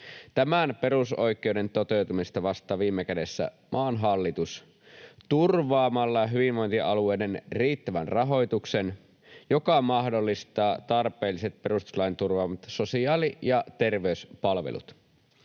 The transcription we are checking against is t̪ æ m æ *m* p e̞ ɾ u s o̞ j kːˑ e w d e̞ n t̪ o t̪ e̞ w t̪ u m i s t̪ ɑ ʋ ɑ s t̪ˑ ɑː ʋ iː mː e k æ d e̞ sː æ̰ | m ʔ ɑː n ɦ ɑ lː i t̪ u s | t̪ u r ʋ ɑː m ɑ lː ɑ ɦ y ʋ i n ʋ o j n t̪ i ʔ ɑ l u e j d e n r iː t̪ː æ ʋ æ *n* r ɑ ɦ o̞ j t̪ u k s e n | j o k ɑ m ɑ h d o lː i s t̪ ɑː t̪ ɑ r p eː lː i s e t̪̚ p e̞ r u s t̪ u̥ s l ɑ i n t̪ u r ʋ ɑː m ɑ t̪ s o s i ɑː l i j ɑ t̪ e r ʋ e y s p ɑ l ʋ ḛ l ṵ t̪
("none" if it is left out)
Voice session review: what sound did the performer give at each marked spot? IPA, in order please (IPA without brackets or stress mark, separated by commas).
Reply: n, n